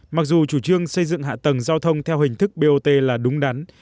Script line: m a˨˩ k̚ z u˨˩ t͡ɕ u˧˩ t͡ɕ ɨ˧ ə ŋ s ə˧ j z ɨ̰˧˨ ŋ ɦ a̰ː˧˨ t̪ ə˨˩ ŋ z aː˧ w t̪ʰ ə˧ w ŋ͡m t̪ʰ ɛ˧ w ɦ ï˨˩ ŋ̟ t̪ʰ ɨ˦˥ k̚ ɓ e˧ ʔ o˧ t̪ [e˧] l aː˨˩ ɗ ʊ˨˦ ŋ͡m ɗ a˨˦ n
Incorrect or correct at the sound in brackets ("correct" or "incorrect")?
correct